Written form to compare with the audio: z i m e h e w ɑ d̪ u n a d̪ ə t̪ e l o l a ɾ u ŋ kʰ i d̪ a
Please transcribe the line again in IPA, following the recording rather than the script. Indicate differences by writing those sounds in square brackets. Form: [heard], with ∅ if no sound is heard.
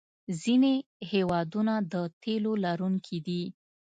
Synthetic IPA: z i [n] e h e w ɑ d̪ u n a d̪ ə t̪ e l o l a ɾ u ŋ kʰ i d̪ [i]